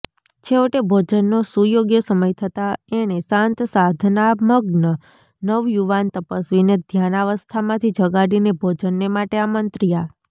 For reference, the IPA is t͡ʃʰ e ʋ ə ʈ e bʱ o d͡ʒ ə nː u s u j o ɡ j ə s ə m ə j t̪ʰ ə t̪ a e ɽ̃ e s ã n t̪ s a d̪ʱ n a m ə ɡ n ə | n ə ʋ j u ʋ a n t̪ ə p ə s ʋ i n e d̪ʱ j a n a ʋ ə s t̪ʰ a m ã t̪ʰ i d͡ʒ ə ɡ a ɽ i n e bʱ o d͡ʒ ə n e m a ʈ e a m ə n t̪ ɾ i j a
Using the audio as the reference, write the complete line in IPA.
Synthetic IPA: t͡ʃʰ e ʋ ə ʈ e bʱ o d͡ʒ ə nː o s u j o ɡ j ə s ə m ə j t̪ʰ ə t̪ a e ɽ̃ e s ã n t̪ s a d̪ʱ n a m ə ɡ n ə | n ə ʋ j u ʋ a n t̪ ə p ə s ʋ i n e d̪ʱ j a n a ʋ ə s t̪ʰ a m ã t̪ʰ i d͡ʒ ə ɡ a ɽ i n e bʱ o d͡ʒ ə nː e m a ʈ e a m ə n t̪ ɾ i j a